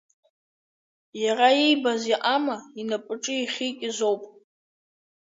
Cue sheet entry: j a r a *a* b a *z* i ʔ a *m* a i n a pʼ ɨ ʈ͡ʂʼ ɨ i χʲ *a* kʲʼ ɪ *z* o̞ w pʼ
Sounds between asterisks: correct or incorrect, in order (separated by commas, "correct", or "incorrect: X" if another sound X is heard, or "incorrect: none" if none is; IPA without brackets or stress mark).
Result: incorrect: i, correct, correct, incorrect: i, correct